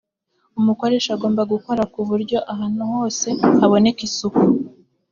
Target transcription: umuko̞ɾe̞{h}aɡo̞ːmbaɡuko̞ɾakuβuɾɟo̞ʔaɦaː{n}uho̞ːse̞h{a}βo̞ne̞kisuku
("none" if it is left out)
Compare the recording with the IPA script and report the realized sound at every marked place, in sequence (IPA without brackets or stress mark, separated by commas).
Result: ʃ, n, a